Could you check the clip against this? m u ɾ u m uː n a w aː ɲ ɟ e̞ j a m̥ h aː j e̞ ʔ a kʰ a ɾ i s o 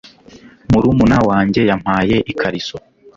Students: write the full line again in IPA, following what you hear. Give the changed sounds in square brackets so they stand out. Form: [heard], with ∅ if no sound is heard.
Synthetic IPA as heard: m u ɾ u m [u] n a w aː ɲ ɟ e̞ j a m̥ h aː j e̞ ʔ [i] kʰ a ɾ i s o